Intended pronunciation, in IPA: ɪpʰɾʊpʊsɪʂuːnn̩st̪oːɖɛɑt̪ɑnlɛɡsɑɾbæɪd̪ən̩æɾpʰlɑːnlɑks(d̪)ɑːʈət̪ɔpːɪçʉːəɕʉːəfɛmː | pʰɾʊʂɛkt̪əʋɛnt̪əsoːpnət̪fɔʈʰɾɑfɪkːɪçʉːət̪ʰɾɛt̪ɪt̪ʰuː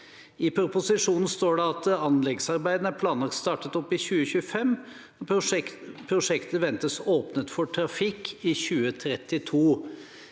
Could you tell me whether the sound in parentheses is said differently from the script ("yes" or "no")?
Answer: yes